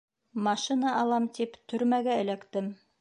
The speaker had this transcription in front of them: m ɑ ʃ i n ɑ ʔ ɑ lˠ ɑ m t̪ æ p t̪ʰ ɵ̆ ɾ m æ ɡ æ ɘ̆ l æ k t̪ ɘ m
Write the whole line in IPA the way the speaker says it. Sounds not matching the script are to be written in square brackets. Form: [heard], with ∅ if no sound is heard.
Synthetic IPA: m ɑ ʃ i n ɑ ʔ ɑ lˠ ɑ m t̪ [i] p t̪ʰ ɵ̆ ɾ m æ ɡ æ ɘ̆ l æ k t̪ ɘ m